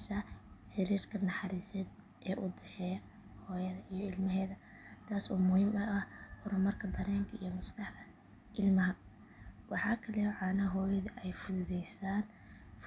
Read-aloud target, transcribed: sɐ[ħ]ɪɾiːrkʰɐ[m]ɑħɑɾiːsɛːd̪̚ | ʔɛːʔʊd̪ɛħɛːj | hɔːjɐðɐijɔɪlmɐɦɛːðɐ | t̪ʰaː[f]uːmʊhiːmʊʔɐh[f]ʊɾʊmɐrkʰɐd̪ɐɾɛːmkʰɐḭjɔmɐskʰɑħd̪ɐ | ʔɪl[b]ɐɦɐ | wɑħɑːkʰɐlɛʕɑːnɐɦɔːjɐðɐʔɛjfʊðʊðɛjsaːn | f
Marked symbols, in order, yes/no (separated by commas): yes, no, no, no, no